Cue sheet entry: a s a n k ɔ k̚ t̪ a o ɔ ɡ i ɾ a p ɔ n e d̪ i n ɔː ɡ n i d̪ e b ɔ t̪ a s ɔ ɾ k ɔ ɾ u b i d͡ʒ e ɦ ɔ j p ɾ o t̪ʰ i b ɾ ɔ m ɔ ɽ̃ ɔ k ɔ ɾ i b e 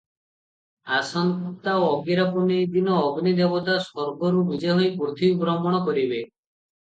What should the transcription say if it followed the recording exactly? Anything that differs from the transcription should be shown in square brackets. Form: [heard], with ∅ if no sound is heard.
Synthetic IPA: a s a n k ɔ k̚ t̪ a o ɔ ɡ i ɾ a p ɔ n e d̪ i n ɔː ɡ n i d̪ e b ɔ t̪ a s ɔ ɾ [ɡ] ɔ ɾ u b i d͡ʒ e ɦ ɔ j p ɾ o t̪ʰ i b ɾ ɔ m ɔ ɽ̃ ɔ k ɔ ɾ i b e

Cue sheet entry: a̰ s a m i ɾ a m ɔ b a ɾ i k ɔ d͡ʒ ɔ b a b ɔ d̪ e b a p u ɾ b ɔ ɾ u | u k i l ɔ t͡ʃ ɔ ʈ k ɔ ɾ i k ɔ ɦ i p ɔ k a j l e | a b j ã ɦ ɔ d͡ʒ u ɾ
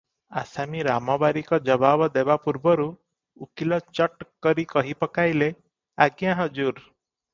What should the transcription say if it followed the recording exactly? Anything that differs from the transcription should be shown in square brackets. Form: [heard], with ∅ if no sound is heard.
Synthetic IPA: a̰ s a m i ɾ a m ɔ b a ɾ i k ɔ d͡ʒ ɔ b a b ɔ d̪ e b a p u ɾ b ɔ ɾ u | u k i l ɔ t͡ʃ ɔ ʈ k ɔ ɾ i k ɔ ɦ i p ɔ k a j l e | a [ɡ] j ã ɦ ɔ d͡ʒ u ɾ

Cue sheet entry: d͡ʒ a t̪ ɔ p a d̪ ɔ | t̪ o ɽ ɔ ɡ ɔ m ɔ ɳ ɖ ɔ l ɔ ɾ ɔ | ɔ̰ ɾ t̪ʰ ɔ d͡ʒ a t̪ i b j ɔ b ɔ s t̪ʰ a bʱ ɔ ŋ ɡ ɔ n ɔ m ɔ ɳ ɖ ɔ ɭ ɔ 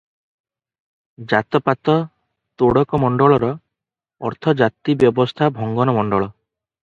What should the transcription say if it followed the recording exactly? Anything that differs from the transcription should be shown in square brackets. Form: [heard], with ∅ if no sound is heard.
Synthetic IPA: d͡ʒ a t̪ ɔ p a [t̪] ɔ | t̪ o ɽ ɔ [k] ɔ m ɔ ɳ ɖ ɔ [ɭ] ɔ ɾ ɔ | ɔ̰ ɾ t̪ʰ ɔ d͡ʒ a t̪ i b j ɔ b ɔ s t̪ʰ a bʱ ɔ ŋ ɡ ɔ n ɔ m ɔ ɳ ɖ ɔ ɭ ɔ

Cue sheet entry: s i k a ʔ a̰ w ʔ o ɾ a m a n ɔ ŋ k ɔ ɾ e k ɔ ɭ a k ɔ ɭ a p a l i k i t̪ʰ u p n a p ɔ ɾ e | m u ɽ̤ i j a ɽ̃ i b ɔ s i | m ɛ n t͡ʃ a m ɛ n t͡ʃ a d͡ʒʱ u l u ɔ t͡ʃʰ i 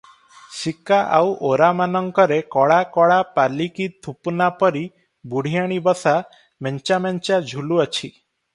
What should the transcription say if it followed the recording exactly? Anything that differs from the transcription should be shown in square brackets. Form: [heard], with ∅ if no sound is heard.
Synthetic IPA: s i k a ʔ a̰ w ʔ o ɾ a m a n ɔ ŋ k ɔ ɾ e k ɔ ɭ a k ɔ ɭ a p a l i k i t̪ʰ u p n a p ɔ ɾ [i] | [b] u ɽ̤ i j a ɽ̃ i b ɔ s [a] | m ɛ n t͡ʃ a m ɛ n t͡ʃ a d͡ʒʱ u l u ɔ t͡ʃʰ i

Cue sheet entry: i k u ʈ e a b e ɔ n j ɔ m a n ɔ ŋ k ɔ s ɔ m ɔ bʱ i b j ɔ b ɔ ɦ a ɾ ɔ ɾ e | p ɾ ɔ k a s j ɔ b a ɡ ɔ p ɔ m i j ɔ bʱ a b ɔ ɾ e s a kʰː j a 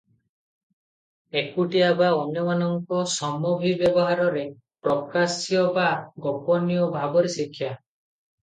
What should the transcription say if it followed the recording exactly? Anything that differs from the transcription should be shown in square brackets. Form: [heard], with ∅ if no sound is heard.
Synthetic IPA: [e] k u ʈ [i] a b [a] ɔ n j ɔ m a n ɔ ŋ k ɔ s ɔ m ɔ bʱ i b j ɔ b ɔ ɦ a ɾ ɔ ɾ e | p ɾ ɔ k a s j ɔ b a ɡ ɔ p ɔ [n] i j ɔ bʱ a b ɔ ɾ e s [i] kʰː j a

